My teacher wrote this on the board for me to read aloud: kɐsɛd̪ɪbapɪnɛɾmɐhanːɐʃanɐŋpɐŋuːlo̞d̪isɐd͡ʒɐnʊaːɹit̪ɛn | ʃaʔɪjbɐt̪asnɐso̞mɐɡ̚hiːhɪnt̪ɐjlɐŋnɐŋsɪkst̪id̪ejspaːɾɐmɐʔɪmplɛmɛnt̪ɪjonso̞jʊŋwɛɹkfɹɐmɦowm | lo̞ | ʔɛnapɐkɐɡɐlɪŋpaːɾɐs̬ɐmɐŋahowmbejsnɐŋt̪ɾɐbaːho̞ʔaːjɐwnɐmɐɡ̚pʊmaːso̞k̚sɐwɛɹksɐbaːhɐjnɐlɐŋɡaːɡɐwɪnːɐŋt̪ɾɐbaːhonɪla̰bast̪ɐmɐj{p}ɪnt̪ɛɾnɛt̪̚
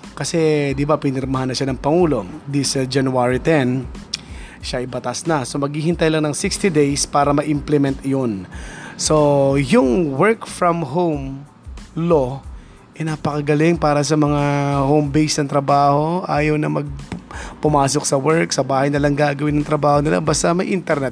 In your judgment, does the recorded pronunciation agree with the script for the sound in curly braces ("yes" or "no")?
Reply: no